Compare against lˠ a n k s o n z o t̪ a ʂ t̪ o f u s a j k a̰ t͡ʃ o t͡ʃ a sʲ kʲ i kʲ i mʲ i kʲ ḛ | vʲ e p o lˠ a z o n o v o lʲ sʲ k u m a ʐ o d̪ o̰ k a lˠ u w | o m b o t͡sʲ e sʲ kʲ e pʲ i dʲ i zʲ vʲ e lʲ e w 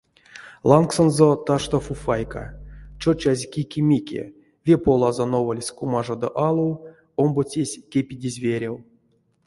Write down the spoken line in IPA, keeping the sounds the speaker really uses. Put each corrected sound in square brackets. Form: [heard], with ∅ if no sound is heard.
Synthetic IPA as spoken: lˠ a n k s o n z o t̪ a ʂ t̪ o f u [f] a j k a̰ t͡ʃ o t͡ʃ a [zʲ] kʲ i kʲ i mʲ i kʲ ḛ | vʲ e p o lˠ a z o n o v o lʲ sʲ k u m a ʐ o d̪ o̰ [ʔ] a lˠ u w | o m b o t͡sʲ e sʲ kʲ e pʲ i dʲ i zʲ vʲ e [ɾʲ] e w